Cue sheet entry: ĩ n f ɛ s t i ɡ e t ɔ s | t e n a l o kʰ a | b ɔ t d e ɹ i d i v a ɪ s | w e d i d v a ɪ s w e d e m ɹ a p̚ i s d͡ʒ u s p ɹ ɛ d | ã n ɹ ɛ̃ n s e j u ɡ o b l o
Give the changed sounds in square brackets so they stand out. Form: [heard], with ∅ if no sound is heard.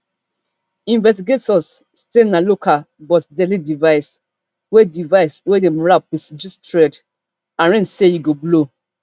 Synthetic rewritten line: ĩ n [v] ɛ s t i ɡ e t ɔ s | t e n a l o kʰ a | b ɔ t d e [l] i d i v a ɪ s | w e d i [∅] v a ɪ s w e d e m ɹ a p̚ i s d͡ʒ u s [t] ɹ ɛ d | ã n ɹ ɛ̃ n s e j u ɡ o b l o